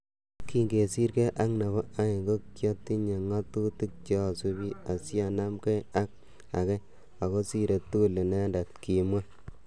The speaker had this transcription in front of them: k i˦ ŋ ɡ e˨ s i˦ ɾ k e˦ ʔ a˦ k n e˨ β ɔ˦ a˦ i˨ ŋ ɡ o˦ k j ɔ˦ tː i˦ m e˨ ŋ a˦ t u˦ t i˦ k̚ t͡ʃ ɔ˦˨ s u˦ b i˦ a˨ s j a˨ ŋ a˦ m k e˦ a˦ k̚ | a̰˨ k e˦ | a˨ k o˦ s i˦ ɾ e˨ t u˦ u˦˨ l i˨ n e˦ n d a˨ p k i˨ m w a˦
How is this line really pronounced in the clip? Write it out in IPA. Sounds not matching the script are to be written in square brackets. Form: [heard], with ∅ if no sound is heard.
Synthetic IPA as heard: k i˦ ŋ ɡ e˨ s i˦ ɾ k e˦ ʔ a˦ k n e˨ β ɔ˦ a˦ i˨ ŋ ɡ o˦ k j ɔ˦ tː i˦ [ɲ] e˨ ŋ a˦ t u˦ t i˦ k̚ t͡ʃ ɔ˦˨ s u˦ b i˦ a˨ s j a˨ [n] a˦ m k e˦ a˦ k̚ | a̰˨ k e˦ | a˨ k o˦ s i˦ ɾ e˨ t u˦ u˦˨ l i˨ n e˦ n d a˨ [t] k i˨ m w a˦